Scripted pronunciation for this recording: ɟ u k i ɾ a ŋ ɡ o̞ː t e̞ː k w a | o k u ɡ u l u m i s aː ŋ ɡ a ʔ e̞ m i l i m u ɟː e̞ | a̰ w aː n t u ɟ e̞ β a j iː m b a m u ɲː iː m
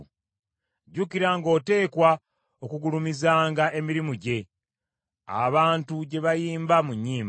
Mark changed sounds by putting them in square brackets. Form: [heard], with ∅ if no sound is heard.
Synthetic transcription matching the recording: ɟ u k i ɾ a ŋ ɡ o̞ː t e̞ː k w a | o k u ɡ u l u m i [z] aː ŋ ɡ a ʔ e̞ m i [ɾ] i m u [ɟ] e̞ | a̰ [β] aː n t u ɟ e̞ β a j iː m b a m u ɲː iː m